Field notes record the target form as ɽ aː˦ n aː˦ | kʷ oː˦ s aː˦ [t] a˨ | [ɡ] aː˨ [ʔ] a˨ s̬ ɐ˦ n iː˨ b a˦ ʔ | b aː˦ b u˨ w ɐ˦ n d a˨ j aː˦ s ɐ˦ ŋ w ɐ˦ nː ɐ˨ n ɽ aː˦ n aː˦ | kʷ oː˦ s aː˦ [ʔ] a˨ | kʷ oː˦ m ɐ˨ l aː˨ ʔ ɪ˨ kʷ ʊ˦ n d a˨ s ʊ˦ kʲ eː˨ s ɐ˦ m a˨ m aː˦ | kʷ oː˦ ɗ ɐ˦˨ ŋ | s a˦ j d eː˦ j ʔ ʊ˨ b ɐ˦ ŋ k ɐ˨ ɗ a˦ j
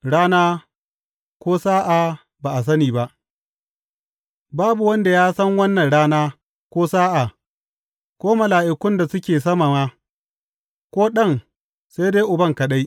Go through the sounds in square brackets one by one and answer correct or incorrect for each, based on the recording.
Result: incorrect: ʔ, incorrect: b, correct, correct

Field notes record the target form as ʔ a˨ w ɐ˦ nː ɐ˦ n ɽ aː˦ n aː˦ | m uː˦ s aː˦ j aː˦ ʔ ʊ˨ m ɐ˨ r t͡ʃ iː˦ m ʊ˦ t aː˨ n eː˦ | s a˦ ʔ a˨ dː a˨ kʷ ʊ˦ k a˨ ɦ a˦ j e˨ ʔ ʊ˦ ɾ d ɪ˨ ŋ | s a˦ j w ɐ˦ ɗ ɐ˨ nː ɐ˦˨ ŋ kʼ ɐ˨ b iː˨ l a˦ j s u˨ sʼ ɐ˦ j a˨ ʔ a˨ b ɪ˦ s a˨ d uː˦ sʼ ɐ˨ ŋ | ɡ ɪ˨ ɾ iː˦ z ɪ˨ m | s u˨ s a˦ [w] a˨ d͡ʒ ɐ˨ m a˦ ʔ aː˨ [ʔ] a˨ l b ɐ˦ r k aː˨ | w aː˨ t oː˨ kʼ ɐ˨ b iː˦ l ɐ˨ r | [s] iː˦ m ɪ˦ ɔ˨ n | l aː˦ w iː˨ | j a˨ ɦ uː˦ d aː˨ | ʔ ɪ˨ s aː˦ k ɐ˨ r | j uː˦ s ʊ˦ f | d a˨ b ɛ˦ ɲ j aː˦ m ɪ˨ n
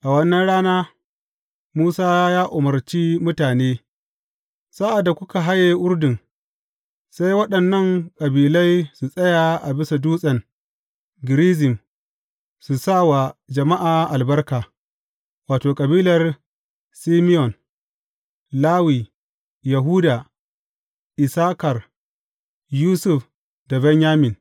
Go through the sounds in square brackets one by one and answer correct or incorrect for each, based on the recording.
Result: correct, correct, correct

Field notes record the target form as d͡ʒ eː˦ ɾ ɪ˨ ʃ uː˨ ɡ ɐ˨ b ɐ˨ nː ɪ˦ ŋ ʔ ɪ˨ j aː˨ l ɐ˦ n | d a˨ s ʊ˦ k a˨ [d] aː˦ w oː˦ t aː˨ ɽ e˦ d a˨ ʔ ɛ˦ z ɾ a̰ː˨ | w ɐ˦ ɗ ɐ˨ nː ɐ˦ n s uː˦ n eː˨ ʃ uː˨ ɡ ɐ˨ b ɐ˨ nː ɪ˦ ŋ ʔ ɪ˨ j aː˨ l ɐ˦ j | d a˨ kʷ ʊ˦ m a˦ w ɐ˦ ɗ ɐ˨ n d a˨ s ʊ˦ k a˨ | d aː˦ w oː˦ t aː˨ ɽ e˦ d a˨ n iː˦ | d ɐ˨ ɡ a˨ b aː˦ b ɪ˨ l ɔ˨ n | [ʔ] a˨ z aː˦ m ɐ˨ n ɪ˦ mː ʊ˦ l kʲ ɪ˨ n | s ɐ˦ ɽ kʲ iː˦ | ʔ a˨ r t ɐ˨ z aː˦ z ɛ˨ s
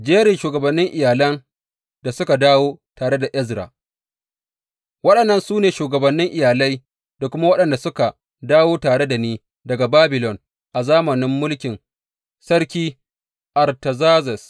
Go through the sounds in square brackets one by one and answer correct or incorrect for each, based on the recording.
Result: correct, correct

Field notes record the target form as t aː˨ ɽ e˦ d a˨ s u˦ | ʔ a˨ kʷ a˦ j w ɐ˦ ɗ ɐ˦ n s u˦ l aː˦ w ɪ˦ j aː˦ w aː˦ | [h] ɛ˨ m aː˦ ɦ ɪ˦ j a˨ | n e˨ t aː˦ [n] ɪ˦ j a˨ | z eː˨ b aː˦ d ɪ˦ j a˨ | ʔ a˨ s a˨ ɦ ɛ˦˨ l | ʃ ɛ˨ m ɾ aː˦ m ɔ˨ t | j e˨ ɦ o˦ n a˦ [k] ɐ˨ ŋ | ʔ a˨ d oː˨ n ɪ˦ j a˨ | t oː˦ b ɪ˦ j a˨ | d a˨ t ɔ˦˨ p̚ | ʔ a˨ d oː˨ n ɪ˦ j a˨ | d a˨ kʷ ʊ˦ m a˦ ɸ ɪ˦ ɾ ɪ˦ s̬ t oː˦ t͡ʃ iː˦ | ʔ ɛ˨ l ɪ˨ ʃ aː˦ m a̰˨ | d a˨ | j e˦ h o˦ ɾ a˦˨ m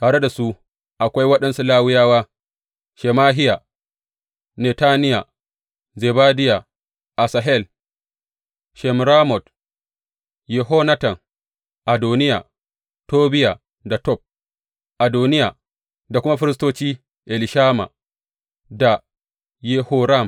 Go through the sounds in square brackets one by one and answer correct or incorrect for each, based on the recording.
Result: incorrect: ʃ, correct, incorrect: t

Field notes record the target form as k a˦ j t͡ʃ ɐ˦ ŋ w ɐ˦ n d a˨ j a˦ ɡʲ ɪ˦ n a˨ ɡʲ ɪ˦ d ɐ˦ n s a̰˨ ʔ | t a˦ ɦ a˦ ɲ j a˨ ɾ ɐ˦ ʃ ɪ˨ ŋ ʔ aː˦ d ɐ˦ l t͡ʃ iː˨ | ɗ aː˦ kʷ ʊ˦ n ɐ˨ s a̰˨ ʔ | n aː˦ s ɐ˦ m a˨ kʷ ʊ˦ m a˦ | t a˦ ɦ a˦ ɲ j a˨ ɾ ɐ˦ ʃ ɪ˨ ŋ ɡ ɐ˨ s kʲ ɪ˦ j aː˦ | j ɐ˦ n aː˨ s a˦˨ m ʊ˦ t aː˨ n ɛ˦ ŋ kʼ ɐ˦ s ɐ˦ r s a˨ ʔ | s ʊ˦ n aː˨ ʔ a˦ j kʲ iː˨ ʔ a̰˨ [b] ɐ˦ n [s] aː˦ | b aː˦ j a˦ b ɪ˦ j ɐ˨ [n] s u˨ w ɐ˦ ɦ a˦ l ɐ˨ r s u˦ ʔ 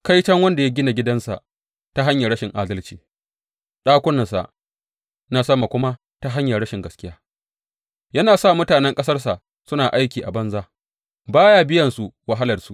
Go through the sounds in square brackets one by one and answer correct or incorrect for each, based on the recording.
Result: correct, incorrect: z, correct

